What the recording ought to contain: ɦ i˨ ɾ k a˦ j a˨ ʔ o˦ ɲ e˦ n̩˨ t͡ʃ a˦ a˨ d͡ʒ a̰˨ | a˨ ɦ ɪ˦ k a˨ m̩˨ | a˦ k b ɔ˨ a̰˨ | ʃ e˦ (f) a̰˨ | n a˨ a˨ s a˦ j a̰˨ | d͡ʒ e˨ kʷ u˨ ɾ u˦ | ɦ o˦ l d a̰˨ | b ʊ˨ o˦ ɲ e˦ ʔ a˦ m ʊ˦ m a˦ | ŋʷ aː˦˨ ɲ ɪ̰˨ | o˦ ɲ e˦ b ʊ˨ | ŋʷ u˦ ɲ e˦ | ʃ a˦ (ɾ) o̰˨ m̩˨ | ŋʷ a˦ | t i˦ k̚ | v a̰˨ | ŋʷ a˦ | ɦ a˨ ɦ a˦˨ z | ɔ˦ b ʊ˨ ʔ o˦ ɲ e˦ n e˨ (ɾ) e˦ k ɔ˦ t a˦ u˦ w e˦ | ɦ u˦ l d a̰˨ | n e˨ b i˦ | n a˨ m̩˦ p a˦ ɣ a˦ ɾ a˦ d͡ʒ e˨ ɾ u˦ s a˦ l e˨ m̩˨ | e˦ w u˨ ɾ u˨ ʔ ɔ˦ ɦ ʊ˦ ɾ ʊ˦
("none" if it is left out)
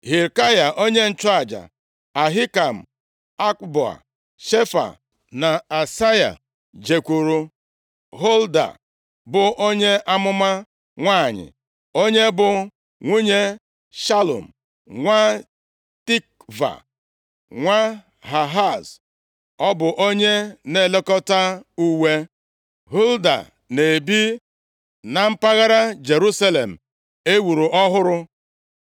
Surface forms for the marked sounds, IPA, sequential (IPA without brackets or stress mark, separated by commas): f, l, l